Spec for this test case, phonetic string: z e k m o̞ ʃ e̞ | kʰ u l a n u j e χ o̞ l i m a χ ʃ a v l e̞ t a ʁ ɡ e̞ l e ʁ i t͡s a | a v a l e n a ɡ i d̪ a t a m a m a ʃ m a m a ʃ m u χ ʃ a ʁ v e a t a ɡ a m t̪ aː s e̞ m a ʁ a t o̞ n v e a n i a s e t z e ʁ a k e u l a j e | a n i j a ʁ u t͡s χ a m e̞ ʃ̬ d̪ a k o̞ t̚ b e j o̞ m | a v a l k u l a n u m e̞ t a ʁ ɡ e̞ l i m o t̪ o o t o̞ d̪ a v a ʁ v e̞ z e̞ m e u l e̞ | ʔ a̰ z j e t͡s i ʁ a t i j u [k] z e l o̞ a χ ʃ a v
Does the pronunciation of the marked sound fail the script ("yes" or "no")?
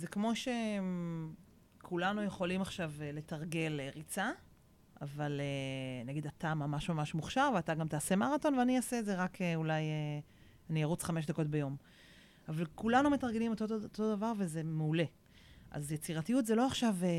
yes